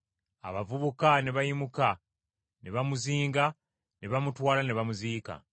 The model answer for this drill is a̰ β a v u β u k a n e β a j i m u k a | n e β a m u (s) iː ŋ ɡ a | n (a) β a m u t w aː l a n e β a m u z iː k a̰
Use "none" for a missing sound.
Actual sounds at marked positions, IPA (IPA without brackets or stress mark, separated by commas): z, e